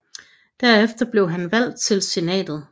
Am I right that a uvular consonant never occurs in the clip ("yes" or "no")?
yes